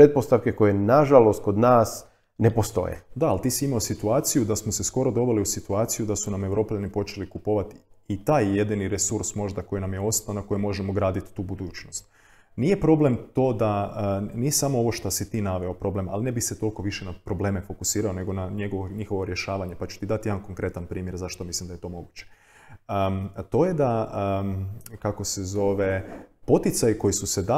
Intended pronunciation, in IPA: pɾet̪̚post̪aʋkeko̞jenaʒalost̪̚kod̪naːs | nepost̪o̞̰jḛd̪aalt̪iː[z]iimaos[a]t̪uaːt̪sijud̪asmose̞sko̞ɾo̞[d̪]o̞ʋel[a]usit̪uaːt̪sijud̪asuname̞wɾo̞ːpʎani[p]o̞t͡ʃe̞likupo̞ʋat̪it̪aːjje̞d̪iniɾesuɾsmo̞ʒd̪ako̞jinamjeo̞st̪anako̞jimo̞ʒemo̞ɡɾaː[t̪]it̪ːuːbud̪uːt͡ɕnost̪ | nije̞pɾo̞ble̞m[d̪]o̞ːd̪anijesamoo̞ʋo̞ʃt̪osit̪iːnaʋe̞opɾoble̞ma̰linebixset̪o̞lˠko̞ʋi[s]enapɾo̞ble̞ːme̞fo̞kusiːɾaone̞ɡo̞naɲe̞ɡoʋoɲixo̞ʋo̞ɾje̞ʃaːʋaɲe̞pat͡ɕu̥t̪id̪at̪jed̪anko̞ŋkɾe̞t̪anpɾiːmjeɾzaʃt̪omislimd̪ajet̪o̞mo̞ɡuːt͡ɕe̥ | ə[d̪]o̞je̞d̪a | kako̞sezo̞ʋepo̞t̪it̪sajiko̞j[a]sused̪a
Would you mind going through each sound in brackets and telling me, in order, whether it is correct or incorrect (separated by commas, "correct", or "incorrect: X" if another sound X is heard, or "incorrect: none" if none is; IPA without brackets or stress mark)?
incorrect: s, incorrect: i, correct, incorrect: i, correct, incorrect: d̪, incorrect: t̪, incorrect: ʃ, incorrect: t̪, incorrect: i